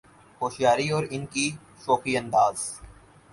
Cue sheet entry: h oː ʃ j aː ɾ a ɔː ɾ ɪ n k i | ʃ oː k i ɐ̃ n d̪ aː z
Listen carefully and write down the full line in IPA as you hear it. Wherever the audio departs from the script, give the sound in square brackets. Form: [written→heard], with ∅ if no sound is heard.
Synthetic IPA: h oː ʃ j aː ɾ [a→i] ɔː ɾ ɪ n k i | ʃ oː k i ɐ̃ n d̪ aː z